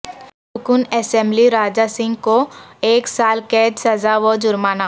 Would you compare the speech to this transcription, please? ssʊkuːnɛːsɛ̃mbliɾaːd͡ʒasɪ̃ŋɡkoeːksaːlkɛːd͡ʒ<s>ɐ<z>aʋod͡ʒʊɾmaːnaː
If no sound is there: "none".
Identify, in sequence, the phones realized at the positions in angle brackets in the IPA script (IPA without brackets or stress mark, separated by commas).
s, z